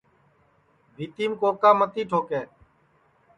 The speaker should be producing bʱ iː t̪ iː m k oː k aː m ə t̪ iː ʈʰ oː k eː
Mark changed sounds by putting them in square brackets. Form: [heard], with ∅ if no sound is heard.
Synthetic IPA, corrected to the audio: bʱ iː t̪ iː m k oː k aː m ə t̪ iː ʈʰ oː k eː